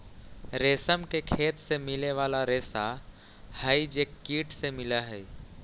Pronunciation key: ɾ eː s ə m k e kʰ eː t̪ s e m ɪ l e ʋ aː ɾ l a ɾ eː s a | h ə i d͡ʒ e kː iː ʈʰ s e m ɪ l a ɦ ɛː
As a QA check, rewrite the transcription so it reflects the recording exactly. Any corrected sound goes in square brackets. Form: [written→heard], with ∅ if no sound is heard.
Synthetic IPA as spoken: ɾ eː s ə m k e kʰ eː t̪ s e m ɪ l e ʋ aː [ɾ→∅] l a ɾ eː s a | h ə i d͡ʒ e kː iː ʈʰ s e m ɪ l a ɦ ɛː

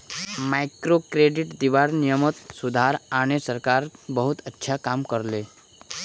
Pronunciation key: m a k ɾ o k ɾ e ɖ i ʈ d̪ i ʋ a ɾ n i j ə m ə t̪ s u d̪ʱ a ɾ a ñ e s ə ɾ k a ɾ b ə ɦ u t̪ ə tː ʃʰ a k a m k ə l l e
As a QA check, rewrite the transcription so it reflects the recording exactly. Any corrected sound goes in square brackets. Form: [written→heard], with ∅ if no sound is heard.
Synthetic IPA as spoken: m a k ɾ o k ɾ e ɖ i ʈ d̪ i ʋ a ɾ n i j ə m ə t̪ s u d̪ʱ a ɾ a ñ e s ə ɾ k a ɾ b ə ɦ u t̪ ə tː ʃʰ a k a m k ə [l→ɾ] l e

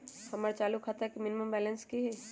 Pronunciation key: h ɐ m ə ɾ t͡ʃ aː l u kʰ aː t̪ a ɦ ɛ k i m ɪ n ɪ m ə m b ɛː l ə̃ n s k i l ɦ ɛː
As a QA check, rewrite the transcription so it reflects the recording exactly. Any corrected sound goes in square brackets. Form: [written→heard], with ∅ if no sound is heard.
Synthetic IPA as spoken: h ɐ m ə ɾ t͡ʃ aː l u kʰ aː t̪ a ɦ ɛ k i m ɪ n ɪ m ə m b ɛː l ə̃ n s k i [l→∅] ɦ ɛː

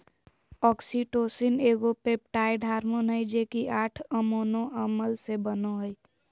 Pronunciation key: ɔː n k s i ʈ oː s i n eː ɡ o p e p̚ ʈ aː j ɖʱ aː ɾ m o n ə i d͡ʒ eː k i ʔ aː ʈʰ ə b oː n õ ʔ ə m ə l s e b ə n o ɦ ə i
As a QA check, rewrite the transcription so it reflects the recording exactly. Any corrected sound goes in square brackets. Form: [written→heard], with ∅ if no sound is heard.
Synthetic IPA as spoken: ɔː [n→∅] k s i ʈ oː s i n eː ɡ o p e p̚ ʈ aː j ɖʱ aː ɾ m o n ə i d͡ʒ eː k i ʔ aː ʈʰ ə [b→m] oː n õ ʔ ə m ə l s e b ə n o ɦ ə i

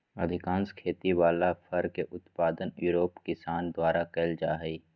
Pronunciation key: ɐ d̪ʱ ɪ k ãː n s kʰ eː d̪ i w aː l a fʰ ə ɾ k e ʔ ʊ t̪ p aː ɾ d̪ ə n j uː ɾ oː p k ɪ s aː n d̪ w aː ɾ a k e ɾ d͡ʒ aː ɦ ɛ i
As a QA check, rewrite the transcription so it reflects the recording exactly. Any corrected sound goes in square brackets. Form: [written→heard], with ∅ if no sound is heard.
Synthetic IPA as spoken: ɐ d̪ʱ ɪ k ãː n s kʰ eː [d̪→t̪] i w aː l a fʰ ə ɾ k e ʔ ʊ t̪ p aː [ɾ→∅] d̪ ə n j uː ɾ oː p k ɪ s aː n d̪ w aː ɾ a k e [ɾ→l] d͡ʒ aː ɦ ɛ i

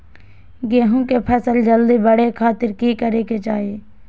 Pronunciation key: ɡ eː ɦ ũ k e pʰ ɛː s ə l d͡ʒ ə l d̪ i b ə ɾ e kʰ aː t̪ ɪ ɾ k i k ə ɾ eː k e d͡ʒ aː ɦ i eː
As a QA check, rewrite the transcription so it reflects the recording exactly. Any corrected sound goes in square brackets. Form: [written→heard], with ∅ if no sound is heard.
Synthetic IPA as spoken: ɡ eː ɦ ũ k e pʰ ɛː s ə l d͡ʒ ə l d̪ i b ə [ɾ→ɽ] e kʰ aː t̪ ɪ ɾ k i k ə ɾ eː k e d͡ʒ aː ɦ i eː

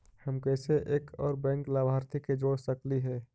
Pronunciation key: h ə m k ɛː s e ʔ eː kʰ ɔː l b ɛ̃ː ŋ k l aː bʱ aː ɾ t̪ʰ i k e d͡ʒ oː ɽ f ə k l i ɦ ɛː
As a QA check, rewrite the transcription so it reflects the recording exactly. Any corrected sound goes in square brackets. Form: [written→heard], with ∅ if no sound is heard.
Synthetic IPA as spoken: h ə m k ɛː s e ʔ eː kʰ ɔː [l→ɾ] b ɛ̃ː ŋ k l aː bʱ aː ɾ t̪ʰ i k e d͡ʒ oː ɽ [f→s] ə k l i ɦ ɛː

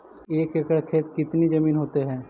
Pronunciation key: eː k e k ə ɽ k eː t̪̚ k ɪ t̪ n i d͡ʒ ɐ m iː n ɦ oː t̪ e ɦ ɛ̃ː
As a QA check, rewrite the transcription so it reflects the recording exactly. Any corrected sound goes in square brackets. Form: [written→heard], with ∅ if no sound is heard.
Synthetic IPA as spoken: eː k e k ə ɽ [k→kʰ] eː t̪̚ k ɪ t̪ n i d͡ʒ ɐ m iː n ɦ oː t̪ e ɦ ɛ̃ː

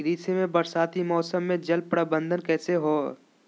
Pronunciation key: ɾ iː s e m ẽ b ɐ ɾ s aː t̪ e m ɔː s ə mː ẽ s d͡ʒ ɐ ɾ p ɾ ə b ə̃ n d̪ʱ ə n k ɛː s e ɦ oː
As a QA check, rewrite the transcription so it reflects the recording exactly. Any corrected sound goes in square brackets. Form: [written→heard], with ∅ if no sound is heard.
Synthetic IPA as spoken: ɾ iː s e m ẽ b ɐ ɾ s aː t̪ [e→i] m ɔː s ə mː ẽ [s→∅] d͡ʒ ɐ [ɾ→l] p ɾ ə b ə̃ n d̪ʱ ə n k ɛː s e ɦ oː

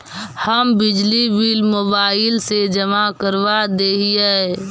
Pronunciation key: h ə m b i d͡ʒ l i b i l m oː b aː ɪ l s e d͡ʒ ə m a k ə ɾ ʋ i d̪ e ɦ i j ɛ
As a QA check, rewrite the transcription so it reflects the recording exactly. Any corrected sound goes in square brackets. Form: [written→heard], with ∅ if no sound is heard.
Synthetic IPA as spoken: h ə m b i d͡ʒ l i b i l m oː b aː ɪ l s e d͡ʒ ə m a k ə ɾ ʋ [i→a] d̪ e ɦ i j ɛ

